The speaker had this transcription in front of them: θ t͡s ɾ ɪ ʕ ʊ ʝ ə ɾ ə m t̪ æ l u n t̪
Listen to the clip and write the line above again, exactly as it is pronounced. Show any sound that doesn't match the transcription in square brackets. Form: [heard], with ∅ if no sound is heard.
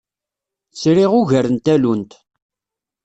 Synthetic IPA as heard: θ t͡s ɾ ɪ [ʁ] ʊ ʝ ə ɾ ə [n] t̪ æ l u n t̪